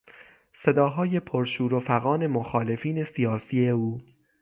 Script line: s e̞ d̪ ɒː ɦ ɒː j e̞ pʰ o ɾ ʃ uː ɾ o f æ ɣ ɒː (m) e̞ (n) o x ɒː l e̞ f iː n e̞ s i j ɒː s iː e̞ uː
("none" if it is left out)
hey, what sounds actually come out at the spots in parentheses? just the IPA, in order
n, m

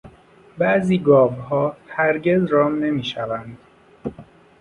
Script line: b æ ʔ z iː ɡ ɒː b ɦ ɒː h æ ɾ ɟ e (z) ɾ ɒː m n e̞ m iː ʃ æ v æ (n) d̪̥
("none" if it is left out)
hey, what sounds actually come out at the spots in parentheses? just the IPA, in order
z, n

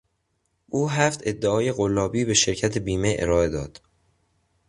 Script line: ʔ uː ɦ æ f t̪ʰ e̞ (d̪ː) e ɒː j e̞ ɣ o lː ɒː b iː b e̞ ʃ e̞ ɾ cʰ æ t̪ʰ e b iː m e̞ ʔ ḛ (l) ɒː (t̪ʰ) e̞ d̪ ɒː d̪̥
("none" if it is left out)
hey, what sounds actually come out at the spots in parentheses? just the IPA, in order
d̪ː, ɾ, none

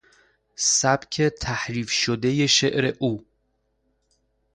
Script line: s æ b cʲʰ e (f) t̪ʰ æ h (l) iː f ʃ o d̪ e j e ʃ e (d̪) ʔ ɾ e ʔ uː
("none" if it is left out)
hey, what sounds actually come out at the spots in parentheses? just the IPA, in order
none, ɾ, none

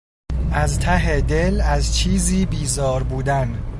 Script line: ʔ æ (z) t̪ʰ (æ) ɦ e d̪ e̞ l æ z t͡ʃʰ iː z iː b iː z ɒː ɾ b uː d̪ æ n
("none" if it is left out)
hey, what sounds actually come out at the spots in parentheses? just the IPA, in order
z, æ

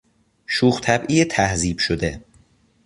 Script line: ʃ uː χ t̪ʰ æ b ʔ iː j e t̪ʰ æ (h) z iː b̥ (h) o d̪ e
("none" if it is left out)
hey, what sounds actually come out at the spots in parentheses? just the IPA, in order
h, ʃ

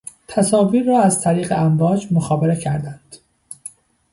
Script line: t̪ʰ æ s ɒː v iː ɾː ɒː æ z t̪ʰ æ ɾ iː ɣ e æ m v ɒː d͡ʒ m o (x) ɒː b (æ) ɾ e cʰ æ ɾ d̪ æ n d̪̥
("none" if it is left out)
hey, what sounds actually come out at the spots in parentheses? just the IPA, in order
x, e

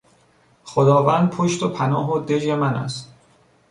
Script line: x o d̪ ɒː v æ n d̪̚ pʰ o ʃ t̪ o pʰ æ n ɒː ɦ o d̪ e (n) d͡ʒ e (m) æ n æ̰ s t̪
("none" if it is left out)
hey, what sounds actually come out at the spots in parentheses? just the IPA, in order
none, m

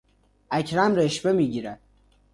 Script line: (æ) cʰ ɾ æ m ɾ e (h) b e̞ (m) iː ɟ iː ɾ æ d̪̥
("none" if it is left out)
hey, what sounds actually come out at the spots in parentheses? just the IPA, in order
æ, ʃ, m

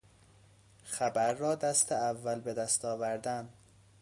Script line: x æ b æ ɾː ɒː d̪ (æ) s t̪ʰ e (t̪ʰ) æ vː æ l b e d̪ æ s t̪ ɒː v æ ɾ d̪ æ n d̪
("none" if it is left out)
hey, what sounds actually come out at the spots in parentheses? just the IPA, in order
æ, none

